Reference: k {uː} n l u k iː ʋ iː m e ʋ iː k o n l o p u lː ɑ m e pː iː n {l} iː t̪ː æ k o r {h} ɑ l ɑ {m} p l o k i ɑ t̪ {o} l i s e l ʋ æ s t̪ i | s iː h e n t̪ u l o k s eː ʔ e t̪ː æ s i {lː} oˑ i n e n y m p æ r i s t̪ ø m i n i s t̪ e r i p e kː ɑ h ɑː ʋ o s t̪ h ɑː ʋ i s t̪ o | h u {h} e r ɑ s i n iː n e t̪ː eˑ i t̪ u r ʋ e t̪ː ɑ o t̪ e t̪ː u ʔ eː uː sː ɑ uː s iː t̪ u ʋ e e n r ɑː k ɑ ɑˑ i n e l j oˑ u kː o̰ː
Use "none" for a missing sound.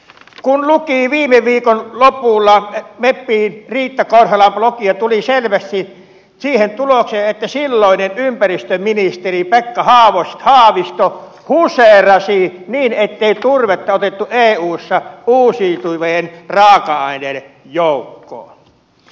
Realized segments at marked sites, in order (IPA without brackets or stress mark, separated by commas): u, r, h, m, u, lː, s